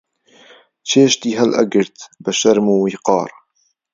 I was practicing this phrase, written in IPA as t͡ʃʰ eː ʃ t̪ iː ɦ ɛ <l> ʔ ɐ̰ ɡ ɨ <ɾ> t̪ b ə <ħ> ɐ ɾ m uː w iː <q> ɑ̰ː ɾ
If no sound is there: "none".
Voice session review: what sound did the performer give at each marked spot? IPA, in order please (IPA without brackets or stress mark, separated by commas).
l, ɾ, ʃ, q